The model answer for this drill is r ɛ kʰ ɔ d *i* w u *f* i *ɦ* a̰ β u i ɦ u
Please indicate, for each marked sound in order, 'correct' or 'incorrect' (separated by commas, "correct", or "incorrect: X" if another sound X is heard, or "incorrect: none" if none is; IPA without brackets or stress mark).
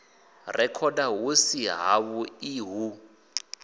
incorrect: a, incorrect: s, correct